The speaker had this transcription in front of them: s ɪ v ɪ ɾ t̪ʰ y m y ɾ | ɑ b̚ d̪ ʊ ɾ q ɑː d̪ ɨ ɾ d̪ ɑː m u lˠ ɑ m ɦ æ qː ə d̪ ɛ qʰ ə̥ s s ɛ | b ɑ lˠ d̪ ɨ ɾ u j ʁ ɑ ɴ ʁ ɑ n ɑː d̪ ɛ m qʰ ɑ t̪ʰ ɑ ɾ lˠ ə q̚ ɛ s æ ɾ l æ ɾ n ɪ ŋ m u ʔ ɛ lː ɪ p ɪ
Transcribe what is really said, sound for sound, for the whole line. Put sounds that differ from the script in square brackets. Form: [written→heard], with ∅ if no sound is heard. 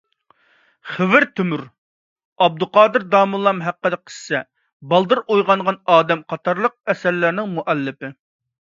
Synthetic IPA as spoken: [s→χ] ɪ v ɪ ɾ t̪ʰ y m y ɾ | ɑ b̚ d̪ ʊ [ɾ→∅] q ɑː d̪ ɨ ɾ d̪ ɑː m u lˠ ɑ m ɦ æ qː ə d̪ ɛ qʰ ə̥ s s ɛ | b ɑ lˠ d̪ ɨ ɾ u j ʁ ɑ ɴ ʁ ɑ n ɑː d̪ ɛ m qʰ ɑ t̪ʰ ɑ ɾ lˠ ə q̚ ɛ s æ ɾ l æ ɾ n ɪ ŋ m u ʔ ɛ lː ɪ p ɪ